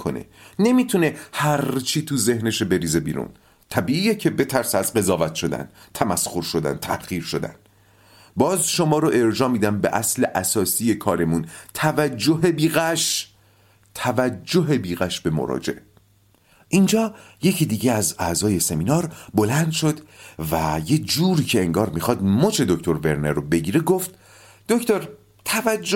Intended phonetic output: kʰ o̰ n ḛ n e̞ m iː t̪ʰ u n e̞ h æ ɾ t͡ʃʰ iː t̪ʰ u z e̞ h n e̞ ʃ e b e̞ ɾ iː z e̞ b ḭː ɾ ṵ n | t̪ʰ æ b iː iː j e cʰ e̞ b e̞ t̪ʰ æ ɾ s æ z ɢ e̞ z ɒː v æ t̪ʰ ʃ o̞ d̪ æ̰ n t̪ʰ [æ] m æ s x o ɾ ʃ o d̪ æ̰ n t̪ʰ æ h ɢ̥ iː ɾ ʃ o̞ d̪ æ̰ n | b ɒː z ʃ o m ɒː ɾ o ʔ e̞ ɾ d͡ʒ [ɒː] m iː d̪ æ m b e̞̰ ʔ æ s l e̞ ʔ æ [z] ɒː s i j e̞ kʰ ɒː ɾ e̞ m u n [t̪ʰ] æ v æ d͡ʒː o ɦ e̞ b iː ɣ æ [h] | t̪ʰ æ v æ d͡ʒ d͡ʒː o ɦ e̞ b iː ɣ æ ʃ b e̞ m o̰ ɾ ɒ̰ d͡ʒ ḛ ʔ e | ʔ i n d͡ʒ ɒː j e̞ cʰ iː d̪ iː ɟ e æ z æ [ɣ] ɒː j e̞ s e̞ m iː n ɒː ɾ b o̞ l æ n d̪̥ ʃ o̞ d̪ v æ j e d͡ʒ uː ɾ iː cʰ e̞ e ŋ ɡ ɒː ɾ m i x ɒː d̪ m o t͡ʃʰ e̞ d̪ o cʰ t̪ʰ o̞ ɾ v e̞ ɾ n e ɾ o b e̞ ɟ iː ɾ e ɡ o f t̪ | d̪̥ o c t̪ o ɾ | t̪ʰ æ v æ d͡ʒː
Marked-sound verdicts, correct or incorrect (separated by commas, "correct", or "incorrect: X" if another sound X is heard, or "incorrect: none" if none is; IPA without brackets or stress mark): correct, correct, incorrect: s, correct, incorrect: ʃ, incorrect: z